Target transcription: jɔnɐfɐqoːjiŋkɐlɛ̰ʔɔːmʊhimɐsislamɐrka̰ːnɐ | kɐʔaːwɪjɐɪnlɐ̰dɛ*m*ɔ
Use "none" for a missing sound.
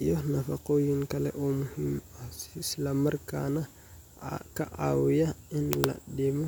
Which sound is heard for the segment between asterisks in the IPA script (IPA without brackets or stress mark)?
m